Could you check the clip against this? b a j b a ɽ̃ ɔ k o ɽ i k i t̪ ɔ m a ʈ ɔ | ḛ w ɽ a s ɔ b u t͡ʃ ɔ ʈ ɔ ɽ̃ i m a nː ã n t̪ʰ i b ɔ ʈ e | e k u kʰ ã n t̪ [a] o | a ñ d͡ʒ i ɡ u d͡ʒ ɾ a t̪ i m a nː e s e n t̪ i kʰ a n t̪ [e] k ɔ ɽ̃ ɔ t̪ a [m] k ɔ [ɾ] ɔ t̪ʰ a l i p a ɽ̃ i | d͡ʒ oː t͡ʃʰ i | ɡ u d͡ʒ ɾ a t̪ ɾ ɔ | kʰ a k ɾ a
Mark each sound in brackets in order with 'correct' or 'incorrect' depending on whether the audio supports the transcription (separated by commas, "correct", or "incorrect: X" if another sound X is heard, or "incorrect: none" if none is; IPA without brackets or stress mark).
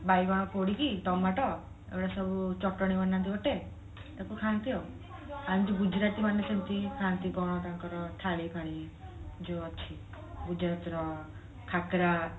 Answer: incorrect: i, incorrect: i, incorrect: ŋ, correct